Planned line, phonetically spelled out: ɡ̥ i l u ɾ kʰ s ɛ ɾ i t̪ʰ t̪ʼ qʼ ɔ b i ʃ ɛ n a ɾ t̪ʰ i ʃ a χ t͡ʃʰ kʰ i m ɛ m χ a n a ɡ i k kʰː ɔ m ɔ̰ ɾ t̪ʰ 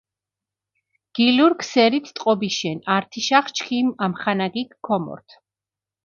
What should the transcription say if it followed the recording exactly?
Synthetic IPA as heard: ɡ̥ i l u ɾ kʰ s ɛ ɾ i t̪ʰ t̪ʼ qʼ ɔ b i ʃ ɛ n a ɾ t̪ʰ i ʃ a χ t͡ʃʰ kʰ i m a m χ a n a ɡ i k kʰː ɔ m ɔ̰ ɾ t̪ʰ